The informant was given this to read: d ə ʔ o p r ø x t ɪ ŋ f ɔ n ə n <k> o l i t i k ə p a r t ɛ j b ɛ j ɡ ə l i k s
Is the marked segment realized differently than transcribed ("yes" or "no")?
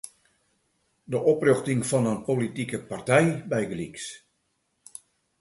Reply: yes